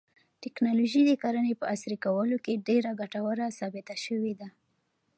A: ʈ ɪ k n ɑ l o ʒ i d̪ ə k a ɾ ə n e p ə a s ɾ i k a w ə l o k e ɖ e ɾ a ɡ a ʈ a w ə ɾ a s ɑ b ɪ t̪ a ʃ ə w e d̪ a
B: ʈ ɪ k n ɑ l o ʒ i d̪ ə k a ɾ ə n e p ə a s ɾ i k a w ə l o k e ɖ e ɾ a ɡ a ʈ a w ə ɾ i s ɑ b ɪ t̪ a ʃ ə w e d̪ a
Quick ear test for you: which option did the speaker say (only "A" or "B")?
A